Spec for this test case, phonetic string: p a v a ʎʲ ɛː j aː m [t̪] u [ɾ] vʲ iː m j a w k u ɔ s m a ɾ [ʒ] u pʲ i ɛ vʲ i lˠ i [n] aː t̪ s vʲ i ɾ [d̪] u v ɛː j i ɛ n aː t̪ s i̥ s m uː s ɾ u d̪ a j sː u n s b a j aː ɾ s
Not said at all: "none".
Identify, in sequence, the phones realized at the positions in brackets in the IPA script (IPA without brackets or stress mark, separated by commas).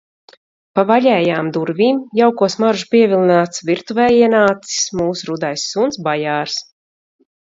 d̪, ɾ, ʒ, n, t̪